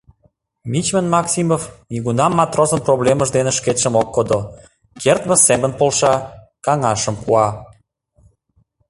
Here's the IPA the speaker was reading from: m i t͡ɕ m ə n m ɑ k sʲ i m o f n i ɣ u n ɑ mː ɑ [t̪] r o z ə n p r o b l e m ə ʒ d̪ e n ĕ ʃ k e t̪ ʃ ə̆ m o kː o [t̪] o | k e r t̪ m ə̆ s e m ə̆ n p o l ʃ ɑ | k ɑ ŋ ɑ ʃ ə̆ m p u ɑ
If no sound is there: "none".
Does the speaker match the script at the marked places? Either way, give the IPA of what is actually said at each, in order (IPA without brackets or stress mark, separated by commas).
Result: t̪, d̪